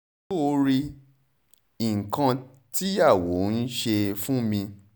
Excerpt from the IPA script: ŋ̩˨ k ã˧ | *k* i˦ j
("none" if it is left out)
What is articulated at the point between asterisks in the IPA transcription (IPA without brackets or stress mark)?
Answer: t